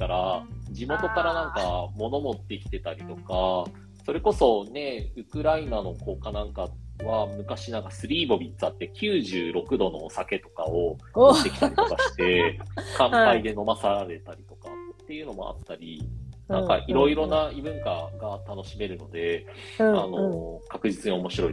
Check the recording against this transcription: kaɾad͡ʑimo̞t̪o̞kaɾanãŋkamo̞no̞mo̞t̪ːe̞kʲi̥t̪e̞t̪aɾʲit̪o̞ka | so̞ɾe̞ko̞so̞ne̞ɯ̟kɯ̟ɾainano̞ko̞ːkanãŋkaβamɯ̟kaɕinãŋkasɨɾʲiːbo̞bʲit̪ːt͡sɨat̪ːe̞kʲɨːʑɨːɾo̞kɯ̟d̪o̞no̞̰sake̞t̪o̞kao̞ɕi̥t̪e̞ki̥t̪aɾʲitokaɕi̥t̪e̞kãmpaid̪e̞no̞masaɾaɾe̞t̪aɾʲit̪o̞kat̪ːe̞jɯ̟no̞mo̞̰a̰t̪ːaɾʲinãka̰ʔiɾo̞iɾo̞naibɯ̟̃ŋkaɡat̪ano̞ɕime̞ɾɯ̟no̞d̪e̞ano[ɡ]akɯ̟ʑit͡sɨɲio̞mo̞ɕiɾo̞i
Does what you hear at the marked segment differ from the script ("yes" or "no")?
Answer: yes